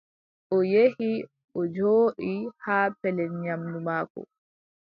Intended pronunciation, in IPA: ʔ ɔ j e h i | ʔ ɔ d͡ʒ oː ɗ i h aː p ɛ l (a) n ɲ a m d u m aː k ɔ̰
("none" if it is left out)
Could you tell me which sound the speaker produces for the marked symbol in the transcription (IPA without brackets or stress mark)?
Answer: ɛ